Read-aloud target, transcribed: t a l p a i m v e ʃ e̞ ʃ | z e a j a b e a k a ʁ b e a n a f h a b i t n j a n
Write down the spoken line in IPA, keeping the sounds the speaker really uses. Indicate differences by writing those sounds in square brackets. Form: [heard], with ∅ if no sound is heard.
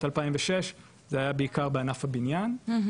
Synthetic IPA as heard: t a l p a i m v e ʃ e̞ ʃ | z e a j a b e [i] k a ʁ b e a n a f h a b i [∅] n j a n